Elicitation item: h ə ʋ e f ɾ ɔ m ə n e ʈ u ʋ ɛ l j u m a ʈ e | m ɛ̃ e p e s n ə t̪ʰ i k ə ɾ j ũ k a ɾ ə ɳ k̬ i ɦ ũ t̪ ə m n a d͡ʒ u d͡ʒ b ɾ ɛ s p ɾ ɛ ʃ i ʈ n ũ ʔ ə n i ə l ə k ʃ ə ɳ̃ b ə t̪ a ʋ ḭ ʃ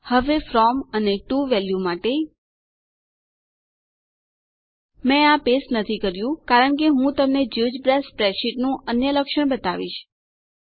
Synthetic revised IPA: h ə ʋ e f ɾ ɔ m ə n e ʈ u ʋ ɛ l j u m a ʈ e | m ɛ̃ a p e s n ə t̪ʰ i k ə ɾ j ũ k a ɾ ə ɳ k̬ e ɦ ũ t̪ ə m n e d͡ʒ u d͡ʒ b ɾ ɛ s p ɾ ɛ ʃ i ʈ n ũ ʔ ə n j ə l ə k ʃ ə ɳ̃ b ə t̪ a ʋ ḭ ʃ